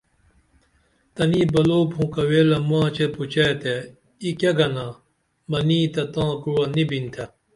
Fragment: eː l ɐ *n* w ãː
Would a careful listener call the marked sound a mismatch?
yes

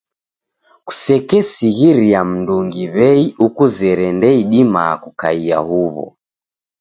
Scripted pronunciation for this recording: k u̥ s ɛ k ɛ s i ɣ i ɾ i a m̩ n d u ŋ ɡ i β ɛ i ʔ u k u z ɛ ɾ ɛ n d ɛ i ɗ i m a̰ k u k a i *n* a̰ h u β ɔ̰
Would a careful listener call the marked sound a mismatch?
yes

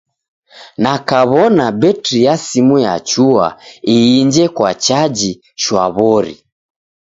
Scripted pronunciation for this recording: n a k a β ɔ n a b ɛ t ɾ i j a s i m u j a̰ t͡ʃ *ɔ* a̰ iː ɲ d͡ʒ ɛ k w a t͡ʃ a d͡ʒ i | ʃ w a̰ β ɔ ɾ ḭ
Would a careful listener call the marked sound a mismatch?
yes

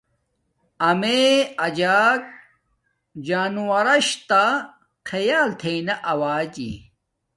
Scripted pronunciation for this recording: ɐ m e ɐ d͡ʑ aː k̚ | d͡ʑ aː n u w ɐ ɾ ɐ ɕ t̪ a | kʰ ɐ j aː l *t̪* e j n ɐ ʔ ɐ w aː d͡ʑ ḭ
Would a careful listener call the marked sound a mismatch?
yes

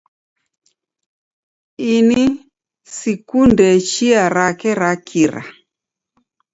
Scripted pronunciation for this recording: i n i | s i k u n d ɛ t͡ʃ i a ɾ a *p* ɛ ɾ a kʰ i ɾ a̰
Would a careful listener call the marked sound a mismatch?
yes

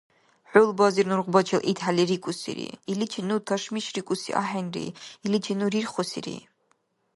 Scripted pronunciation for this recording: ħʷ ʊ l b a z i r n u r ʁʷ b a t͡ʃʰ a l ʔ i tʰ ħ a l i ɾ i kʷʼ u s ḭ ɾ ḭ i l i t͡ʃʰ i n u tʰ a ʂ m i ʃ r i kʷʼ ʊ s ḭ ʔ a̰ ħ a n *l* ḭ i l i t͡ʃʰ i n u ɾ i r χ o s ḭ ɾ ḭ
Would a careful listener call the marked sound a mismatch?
yes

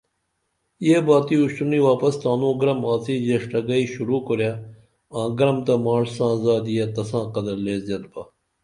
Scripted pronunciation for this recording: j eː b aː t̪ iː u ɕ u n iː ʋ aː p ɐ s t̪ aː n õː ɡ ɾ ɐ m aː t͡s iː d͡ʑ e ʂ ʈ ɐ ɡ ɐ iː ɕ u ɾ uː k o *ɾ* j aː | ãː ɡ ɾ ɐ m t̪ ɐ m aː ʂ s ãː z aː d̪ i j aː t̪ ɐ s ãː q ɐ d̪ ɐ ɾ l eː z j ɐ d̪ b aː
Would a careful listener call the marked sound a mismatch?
no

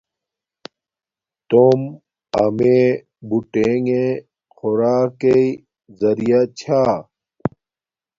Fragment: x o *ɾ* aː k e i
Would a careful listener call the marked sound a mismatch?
no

